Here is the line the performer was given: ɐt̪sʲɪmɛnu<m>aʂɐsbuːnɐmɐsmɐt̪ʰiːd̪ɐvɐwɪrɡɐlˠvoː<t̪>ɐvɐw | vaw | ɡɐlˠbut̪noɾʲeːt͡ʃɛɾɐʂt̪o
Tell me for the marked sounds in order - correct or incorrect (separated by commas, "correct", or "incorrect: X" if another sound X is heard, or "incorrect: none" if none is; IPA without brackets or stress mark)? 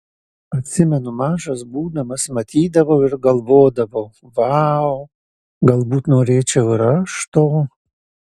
correct, incorrect: d̪